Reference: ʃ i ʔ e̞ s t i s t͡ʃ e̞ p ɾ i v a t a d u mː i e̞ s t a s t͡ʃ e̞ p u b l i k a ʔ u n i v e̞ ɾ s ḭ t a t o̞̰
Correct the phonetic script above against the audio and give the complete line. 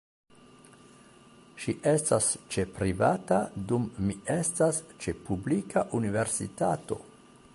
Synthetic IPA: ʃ i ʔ e̞ s t a s t͡ʃ e̞ p ɾ i v a t a d u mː i e̞ s t a s t͡ʃ e̞ p u b l i k a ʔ u n i v e̞ ɾ s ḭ t a t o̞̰